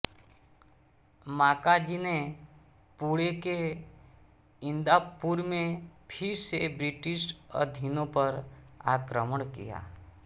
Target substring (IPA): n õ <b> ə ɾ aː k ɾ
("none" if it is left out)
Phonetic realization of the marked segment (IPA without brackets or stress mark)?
p